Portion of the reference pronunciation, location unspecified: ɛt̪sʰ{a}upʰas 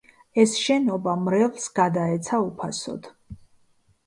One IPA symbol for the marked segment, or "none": a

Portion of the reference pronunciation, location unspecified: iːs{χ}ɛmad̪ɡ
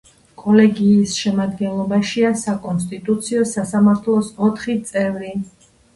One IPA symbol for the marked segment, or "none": ʃ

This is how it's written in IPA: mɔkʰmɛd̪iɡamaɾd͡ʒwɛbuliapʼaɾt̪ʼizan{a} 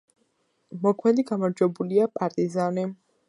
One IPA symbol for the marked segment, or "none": i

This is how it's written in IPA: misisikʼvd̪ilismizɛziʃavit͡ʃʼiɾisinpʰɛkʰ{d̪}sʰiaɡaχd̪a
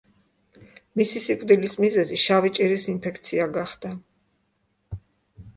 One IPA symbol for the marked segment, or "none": t̪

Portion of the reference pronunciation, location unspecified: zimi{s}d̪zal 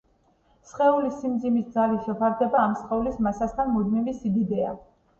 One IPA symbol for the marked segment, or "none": s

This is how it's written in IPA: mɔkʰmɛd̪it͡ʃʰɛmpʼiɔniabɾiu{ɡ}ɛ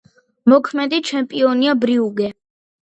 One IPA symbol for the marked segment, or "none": ɡ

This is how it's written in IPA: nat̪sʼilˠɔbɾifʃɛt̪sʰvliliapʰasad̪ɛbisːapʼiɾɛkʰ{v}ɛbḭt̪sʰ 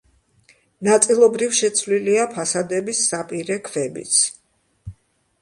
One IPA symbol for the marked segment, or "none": v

